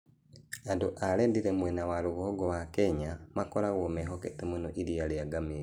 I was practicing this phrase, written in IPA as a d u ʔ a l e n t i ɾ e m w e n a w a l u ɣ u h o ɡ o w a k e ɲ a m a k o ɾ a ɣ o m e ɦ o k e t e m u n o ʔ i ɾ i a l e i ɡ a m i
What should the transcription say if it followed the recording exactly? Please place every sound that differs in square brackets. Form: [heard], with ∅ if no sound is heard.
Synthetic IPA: a d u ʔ a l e n [d] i ɾ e m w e n a w a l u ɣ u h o ɡ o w a k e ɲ a m a k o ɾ a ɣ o m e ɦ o k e t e m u n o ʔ i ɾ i a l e [a] ɡ a m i